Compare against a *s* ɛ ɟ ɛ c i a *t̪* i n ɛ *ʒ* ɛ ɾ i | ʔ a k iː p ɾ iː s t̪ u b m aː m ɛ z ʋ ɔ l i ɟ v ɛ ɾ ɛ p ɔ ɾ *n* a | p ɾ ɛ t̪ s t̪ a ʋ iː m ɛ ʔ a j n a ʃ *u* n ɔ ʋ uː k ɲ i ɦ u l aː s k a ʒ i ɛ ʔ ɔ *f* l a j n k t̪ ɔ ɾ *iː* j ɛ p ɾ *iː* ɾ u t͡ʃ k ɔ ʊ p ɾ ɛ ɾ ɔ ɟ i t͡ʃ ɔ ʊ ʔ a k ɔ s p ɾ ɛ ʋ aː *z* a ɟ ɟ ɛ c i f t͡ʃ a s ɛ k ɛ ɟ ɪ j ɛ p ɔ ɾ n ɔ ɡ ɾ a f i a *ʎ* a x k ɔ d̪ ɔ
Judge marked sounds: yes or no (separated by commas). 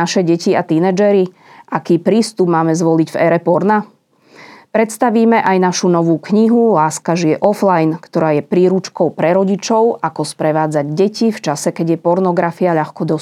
no, yes, no, yes, yes, yes, no, yes, no, yes